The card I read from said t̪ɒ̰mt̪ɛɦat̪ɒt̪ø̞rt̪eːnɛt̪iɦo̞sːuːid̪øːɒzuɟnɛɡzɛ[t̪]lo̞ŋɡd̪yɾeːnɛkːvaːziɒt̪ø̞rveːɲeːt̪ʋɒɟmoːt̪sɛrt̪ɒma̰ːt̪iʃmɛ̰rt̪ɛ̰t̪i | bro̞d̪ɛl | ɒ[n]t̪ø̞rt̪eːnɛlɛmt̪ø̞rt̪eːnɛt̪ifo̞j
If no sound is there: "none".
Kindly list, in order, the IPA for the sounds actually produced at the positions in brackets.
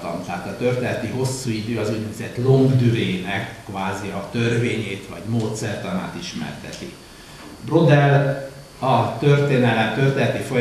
t̪, none

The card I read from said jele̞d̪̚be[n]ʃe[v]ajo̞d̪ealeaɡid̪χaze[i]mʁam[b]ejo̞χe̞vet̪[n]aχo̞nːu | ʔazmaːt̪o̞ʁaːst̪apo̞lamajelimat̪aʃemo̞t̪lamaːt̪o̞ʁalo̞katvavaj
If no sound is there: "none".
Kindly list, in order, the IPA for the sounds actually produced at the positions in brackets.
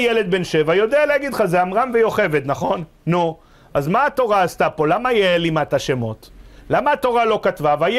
n, v, a, v, n

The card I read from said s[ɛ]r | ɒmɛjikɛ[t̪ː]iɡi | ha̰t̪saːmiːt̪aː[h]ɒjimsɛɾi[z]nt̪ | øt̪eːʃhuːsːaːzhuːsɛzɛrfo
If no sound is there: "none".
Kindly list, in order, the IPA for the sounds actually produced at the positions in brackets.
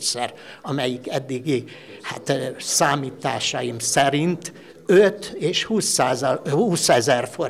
ɛ, d̪ː, ʃ, none

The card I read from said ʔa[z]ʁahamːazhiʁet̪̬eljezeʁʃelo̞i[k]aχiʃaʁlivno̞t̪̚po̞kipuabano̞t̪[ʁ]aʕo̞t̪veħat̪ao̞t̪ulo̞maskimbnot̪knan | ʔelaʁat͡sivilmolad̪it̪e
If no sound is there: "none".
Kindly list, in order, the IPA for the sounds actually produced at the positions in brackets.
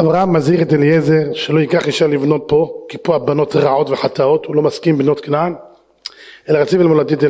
v, k, ʁ

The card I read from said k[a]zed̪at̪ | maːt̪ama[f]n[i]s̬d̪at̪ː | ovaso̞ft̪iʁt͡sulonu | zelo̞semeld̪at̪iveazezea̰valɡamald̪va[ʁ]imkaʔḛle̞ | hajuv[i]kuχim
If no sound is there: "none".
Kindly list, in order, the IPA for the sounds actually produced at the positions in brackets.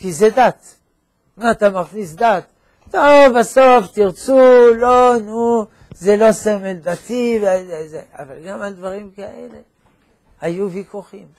i, χ, i, ʁ, i

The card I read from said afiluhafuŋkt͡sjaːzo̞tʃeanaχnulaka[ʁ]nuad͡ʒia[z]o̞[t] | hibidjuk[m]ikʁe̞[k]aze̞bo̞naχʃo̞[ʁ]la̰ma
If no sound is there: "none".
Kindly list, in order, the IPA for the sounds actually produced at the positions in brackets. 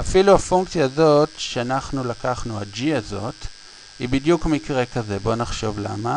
χ, z, t, m, k, v

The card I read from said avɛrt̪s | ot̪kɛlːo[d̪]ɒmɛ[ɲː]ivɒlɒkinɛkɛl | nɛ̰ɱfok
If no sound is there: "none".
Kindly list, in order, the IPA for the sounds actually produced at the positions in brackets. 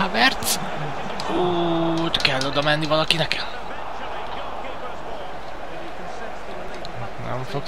d̪, nː

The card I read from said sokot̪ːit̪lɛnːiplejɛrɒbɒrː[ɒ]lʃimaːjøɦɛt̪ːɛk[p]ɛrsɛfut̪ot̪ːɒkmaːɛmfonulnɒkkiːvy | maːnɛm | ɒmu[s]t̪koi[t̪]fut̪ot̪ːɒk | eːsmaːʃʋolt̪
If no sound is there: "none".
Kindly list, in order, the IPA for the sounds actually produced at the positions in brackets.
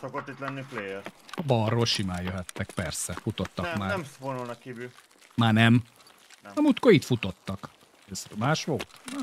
o, p, none, t̪

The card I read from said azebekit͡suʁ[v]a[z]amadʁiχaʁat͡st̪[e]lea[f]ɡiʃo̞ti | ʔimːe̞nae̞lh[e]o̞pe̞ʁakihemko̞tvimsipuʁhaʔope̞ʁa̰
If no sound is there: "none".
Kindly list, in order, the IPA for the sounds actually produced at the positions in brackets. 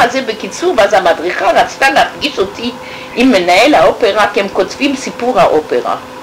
v, z, a, f, a

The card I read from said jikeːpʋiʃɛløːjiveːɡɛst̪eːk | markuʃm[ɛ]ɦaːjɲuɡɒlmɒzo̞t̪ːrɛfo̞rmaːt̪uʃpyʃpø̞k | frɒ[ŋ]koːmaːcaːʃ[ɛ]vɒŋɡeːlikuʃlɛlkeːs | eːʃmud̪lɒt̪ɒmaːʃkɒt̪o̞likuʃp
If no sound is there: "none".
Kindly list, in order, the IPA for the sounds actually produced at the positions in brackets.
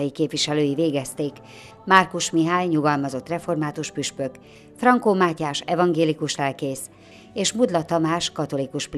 i, ŋ, ɛ

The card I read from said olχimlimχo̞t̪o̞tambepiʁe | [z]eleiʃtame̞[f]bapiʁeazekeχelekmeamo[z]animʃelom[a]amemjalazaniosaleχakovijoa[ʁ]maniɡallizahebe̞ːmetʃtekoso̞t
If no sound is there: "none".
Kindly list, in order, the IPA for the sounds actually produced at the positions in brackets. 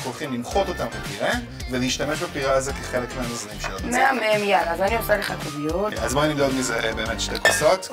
v, ʃ, z, e, z

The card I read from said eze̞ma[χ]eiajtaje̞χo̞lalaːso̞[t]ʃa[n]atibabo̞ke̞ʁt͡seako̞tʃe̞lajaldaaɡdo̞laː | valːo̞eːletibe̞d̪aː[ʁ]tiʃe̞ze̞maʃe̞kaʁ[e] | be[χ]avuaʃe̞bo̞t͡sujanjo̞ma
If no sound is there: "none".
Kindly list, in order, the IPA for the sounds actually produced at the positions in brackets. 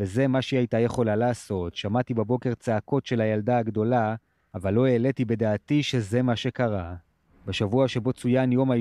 ʃ, t, m, none, a, ʃ

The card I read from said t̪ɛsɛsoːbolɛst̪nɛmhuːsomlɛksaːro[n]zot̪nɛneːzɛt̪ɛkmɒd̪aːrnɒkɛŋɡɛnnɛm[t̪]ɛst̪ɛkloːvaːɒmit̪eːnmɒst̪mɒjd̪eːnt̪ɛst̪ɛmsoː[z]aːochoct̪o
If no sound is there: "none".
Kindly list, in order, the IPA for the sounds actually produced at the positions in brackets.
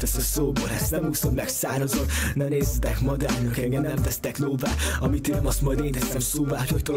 none, t̪, v

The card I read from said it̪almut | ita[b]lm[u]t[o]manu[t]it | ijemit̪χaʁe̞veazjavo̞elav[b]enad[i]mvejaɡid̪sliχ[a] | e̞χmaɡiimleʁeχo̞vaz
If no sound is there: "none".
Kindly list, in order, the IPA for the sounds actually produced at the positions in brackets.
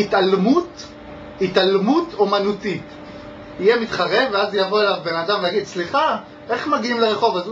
none, u, o, t, b, a, a

